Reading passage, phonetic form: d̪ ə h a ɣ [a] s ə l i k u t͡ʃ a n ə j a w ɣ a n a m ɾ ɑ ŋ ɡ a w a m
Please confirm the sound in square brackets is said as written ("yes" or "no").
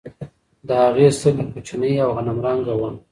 no